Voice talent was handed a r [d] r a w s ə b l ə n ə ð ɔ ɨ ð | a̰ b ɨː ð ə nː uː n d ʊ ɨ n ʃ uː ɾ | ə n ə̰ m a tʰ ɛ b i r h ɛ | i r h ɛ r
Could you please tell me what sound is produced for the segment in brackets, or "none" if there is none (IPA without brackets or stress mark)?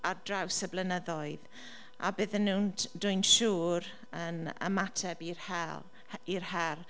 d